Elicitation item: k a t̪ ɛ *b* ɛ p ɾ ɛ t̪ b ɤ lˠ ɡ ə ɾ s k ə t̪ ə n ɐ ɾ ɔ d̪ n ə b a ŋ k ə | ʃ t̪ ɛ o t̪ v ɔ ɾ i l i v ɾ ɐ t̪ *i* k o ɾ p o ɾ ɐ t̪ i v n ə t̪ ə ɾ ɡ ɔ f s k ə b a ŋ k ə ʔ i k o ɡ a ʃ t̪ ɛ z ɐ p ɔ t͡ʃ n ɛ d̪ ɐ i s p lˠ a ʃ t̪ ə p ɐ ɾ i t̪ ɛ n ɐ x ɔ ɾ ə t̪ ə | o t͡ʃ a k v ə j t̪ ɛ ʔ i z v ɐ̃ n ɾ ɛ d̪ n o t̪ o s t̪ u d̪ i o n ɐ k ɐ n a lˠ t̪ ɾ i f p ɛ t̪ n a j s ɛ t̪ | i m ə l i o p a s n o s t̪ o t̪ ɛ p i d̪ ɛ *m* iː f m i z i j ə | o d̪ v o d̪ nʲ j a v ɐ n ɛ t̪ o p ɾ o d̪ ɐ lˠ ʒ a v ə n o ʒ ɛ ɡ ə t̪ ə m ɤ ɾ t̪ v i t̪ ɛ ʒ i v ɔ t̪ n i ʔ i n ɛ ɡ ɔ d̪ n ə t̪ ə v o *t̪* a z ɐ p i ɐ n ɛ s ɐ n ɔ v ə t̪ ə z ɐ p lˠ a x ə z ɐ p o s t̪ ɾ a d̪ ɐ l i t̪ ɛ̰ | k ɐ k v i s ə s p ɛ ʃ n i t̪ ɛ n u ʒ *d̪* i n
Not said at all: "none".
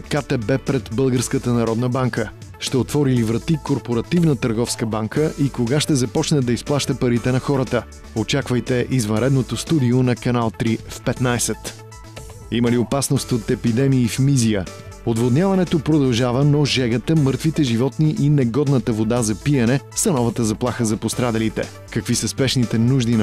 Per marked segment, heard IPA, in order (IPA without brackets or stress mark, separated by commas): b, i, m, d̪, d̪